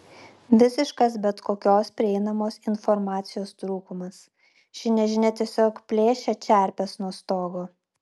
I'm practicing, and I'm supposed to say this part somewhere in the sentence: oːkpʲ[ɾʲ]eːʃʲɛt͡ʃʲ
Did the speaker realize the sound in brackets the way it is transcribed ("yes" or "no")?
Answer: no